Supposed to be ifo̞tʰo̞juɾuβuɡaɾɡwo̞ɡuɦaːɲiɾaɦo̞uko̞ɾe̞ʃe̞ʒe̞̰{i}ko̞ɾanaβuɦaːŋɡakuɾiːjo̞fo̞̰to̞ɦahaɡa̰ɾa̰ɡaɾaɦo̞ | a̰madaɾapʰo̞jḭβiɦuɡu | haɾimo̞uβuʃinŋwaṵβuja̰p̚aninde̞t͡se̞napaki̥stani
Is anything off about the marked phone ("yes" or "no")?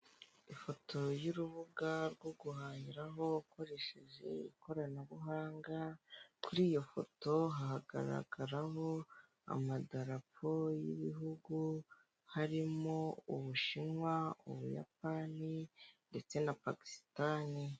no